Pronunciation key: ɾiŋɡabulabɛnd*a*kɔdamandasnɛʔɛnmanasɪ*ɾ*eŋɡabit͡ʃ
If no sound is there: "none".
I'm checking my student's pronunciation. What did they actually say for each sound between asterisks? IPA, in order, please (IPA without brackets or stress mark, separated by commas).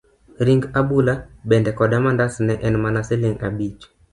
ɛ, l